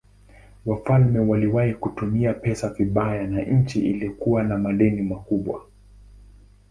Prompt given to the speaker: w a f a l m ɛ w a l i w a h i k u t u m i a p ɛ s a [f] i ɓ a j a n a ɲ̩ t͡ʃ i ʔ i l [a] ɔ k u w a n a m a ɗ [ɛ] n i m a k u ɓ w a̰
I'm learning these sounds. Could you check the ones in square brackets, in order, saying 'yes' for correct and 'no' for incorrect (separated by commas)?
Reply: no, no, yes